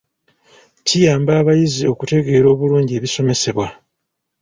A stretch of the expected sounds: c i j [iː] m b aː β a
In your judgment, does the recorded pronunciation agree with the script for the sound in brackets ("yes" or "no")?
no